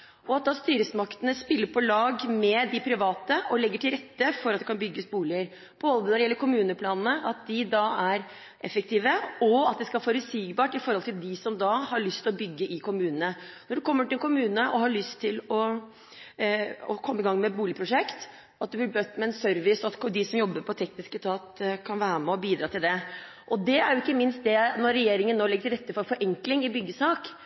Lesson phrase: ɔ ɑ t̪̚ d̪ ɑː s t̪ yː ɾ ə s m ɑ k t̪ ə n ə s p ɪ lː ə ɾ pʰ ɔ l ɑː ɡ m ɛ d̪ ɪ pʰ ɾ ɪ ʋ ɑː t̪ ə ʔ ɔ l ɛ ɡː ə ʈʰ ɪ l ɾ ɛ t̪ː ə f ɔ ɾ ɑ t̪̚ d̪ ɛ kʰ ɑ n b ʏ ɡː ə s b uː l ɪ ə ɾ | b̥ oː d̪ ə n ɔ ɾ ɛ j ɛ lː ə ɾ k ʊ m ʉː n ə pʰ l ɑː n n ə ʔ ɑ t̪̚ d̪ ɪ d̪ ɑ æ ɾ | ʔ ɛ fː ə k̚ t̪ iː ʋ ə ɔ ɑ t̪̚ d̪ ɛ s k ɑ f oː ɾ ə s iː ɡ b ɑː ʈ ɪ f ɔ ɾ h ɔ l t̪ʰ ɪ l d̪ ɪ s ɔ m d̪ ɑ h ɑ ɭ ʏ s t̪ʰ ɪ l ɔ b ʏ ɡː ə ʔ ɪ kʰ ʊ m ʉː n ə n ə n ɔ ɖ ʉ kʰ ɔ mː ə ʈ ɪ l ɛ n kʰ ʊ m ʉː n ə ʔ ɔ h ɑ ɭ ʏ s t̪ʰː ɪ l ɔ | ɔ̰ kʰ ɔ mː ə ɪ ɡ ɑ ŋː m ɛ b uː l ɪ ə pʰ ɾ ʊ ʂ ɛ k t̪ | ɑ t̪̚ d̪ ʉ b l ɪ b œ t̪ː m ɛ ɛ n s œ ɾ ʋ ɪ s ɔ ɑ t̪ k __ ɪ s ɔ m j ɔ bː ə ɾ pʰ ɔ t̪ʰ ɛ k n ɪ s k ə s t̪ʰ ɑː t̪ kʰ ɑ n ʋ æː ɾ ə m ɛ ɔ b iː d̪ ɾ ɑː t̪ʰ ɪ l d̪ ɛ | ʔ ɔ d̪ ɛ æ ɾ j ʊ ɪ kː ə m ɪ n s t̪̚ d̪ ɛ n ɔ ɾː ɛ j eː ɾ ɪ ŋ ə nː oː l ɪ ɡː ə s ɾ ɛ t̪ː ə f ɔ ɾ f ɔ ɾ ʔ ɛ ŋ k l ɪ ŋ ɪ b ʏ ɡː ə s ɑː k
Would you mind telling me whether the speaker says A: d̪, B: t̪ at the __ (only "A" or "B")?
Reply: A